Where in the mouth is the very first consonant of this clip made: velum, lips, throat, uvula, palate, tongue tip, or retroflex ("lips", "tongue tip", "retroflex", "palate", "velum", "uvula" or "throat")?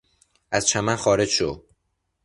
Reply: tongue tip